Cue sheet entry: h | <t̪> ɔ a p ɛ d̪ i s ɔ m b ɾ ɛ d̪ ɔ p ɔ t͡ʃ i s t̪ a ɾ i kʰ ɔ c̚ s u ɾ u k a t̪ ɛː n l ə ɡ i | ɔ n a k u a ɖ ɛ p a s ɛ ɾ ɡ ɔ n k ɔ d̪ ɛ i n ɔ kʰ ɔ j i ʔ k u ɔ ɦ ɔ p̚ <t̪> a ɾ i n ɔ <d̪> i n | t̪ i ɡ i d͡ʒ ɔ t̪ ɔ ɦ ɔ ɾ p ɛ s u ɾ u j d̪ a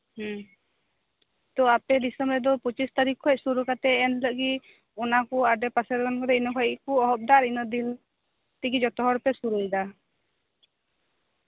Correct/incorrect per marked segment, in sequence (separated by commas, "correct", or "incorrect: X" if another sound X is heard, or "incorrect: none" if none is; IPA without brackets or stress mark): correct, incorrect: d̪, correct